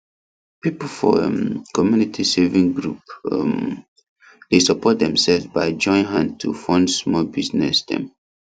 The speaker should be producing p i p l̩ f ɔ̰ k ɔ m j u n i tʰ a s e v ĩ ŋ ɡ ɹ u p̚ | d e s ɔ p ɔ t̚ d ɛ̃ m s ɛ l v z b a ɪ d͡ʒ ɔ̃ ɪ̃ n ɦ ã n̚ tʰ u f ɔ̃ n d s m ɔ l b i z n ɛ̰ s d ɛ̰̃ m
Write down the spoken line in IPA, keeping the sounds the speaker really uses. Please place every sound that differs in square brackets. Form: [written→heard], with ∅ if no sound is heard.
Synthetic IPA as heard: p i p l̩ f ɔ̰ k ɔ m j u n i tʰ [a→i] s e v ĩ ŋ ɡ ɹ u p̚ | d e s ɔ p ɔ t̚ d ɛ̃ m s ɛ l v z b a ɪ d͡ʒ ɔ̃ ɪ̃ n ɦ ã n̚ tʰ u f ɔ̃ n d s m ɔ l b i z n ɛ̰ s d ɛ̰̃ m